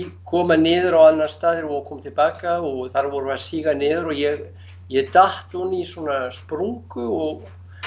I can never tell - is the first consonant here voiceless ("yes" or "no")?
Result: yes